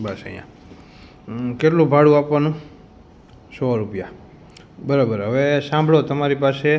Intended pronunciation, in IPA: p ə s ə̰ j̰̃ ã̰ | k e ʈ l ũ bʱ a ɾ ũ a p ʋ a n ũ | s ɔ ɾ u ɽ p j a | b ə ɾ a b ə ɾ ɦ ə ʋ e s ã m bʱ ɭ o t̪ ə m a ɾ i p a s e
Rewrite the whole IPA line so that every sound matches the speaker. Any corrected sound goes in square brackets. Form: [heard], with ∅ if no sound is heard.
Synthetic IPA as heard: [b] ə s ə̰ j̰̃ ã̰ | k e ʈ l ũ bʱ a [ɽ] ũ a p ʋ a n ũ | s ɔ ɾ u [∅] p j a | b ə ɾ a b ə ɾ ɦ ə ʋ e s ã m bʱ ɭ o t̪ ə m a ɾ i p a s e